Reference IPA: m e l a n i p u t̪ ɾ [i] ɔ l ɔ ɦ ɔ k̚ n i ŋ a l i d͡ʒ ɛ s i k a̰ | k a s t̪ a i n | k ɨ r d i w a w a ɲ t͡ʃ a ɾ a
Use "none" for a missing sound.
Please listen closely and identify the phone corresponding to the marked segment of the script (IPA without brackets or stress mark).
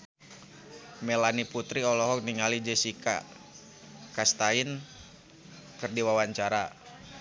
i